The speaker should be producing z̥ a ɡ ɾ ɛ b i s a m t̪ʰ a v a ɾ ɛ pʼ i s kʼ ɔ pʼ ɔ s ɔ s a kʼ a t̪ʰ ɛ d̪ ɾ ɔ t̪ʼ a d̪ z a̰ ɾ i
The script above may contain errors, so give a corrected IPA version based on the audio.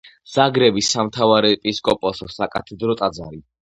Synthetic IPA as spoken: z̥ a ɡ ɾ ɛ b i s a m t̪ʰ a v a ɾ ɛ pʼ i s kʼ ɔ pʼ ɔ s ɔ s a kʼ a t̪ʰ ɛ d̪ ɾ ɔ t̪ʼ a d̪ z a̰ ɾ i